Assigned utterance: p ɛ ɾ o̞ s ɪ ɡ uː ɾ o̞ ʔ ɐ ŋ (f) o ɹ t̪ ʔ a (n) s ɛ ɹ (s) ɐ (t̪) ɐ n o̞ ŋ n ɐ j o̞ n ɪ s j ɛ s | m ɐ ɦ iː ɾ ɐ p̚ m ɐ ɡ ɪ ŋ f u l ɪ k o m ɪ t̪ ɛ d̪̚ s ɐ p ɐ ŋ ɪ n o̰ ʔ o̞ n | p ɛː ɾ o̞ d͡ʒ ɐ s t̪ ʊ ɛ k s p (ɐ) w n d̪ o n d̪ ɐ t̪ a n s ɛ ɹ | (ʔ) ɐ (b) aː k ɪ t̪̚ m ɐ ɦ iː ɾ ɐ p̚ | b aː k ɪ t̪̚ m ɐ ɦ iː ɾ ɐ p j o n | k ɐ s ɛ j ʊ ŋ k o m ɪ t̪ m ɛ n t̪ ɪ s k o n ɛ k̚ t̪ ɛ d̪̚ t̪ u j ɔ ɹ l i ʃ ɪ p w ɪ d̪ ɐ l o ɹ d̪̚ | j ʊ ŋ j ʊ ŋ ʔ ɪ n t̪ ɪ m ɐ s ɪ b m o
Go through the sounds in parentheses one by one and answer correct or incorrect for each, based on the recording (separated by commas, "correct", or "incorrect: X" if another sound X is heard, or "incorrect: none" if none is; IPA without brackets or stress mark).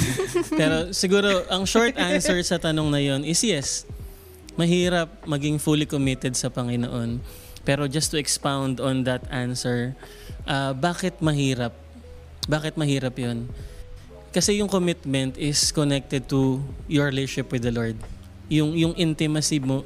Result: incorrect: ʃ, correct, correct, correct, incorrect: a, correct, correct